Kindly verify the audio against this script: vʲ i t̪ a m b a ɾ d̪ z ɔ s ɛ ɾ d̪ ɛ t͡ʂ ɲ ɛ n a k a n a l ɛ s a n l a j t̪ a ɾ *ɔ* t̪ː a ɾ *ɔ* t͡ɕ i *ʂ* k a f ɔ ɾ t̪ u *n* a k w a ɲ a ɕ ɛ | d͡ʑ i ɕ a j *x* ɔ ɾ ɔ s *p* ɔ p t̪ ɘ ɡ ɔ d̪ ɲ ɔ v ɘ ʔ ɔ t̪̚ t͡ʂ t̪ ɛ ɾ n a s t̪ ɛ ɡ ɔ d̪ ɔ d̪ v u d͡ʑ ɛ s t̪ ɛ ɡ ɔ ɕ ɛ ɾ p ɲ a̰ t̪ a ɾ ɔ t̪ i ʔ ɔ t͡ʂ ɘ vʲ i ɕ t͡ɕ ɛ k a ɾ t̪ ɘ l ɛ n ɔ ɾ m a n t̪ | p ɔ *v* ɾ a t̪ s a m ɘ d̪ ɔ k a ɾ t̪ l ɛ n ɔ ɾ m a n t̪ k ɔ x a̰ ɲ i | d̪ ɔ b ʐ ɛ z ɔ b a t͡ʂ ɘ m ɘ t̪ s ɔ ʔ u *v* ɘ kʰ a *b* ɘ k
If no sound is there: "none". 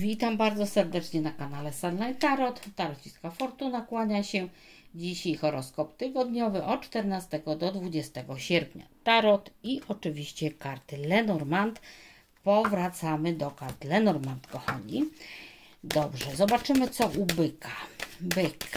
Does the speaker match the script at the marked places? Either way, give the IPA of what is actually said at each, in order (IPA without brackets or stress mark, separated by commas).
ɔ, ɔ, s, n, x, k, v, b, b